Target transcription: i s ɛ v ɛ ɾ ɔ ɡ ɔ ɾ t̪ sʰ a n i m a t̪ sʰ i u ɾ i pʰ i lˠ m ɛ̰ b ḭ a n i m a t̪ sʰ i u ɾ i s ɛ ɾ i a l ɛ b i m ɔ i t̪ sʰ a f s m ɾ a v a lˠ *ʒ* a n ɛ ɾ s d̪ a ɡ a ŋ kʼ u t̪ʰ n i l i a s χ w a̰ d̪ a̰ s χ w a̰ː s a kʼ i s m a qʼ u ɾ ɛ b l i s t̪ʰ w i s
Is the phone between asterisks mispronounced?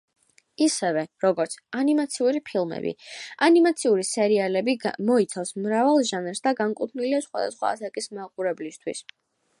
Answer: no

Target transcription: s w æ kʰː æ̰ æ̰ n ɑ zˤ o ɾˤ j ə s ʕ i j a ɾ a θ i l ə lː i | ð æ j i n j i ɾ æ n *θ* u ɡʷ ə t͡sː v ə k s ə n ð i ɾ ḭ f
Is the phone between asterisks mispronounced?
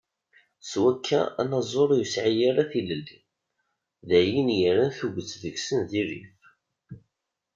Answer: no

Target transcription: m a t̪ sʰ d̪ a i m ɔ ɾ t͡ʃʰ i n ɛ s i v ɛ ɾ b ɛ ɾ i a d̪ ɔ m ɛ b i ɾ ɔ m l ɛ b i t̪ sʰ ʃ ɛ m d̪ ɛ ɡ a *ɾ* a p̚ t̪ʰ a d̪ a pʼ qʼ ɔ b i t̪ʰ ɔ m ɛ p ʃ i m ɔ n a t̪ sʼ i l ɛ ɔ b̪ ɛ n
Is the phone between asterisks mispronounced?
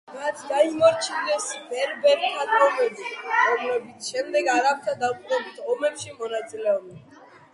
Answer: no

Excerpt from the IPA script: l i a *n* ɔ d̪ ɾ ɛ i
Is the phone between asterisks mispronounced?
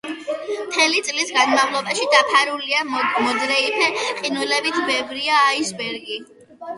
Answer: yes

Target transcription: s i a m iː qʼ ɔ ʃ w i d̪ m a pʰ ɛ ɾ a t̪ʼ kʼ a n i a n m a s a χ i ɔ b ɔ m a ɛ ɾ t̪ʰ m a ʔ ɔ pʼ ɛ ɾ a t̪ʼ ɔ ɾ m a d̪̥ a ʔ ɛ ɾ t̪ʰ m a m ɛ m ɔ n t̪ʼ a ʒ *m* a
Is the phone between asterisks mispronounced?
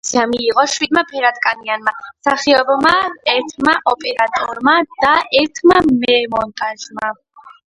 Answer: no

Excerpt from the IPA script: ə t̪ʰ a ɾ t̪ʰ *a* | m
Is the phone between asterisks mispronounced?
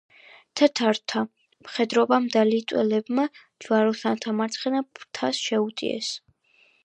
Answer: no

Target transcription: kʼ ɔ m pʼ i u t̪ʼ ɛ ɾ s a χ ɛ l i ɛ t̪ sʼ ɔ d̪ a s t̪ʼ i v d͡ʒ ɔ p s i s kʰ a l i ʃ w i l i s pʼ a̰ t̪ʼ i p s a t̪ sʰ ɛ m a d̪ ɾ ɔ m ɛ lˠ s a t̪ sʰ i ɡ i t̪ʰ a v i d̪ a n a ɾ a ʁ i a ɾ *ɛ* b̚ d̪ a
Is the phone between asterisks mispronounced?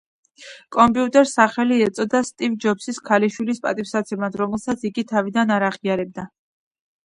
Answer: no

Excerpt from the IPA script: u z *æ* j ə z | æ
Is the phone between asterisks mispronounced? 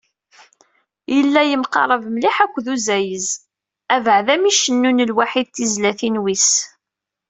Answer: no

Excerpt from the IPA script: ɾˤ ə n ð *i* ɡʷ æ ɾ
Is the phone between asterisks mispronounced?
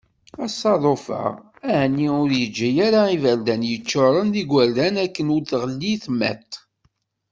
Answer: no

